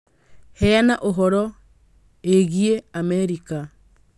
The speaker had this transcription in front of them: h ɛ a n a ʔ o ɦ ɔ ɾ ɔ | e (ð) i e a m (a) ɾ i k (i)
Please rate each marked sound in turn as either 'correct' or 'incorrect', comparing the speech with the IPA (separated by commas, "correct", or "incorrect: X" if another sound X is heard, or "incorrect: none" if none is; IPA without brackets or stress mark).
incorrect: ɣ, incorrect: ɛ, incorrect: a